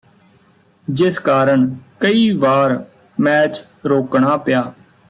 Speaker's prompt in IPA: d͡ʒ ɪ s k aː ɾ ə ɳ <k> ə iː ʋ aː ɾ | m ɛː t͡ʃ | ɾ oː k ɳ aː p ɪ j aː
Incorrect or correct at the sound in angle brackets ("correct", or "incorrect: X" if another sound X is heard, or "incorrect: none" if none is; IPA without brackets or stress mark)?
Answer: correct